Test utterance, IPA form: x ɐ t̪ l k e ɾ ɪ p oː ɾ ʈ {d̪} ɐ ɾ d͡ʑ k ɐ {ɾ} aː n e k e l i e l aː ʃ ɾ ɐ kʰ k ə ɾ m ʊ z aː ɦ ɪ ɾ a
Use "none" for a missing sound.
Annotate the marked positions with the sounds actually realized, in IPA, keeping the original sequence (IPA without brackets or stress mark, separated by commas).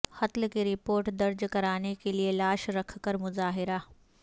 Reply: d̪, ɾ